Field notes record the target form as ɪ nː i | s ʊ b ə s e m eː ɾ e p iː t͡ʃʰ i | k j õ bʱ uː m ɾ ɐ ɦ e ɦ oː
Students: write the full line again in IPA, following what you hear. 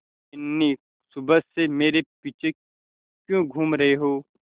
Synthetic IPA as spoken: ɪ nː i | s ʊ b ə s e m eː ɾ e p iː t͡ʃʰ e | k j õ ɡʱ uː m ɾ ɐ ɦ e ɦ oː

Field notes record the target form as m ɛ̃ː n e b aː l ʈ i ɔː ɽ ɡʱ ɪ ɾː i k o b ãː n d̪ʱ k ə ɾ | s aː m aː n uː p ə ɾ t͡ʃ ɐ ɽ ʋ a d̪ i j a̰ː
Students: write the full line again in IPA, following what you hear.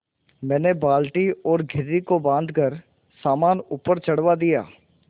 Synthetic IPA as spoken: m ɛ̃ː n e b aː l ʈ i ɔː ɾ ɡʱ ɪ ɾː i k o b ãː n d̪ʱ k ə ɾ | s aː m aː n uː p ə ɾ t͡ʃ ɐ ɽ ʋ a d̪ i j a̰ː

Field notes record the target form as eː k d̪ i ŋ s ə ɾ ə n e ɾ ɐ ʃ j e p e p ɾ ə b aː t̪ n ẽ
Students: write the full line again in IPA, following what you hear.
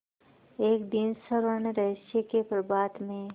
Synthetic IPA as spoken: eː k d̪ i n s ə ɾ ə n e ɾ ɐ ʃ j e k e p ɾ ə b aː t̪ m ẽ

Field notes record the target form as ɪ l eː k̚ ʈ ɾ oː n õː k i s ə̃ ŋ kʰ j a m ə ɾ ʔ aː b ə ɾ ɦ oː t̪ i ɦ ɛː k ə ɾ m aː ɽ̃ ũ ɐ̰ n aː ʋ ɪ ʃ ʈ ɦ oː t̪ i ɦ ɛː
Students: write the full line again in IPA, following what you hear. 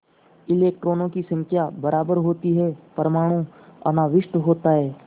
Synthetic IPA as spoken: ɪ l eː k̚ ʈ ɾ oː n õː k i s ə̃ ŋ kʰ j a b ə ɾ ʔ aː b ə ɾ ɦ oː t̪ i ɦ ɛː p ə ɾ m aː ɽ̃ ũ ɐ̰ n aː ʋ ɪ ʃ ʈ ɦ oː t̪ a ɦ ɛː

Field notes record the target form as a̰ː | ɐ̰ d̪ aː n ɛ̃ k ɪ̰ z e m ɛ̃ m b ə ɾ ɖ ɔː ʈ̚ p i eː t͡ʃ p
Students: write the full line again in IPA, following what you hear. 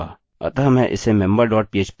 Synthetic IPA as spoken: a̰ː | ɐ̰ t̪ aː m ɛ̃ ʔ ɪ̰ s e m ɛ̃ m b ə ɾ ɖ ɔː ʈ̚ p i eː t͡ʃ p

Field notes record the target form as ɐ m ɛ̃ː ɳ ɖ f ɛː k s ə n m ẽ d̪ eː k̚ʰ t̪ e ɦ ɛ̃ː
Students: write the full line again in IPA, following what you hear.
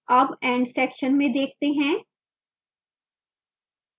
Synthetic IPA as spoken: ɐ b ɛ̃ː ɳ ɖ s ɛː k ʃ ə n m ẽ d̪ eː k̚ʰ t̪ e ɦ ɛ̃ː

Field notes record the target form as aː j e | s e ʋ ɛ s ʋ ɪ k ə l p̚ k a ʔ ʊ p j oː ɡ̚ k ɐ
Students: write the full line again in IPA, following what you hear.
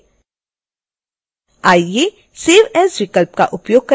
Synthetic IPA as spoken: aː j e | s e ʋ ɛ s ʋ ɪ k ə l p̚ k a ʔ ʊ p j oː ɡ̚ k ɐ

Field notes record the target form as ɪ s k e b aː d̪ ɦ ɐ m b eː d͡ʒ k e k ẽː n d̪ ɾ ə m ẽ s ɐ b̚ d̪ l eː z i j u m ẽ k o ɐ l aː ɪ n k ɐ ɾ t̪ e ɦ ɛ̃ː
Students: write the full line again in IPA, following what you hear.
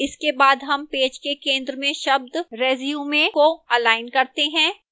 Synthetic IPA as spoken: ɪ s k e b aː d̪ ɦ ɐ m p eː d͡ʒ k e k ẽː n d̪ ɾ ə m ẽ ʃ ɐ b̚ d̪ ɾ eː z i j u m ẽ k o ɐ l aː ɪ n k ɐ ɾ t̪ e ɦ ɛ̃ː

